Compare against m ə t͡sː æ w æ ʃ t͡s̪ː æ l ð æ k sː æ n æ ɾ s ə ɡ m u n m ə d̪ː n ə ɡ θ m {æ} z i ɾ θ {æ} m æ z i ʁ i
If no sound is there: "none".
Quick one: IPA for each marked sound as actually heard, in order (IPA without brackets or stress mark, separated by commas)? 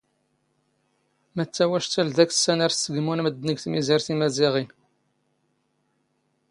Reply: i, i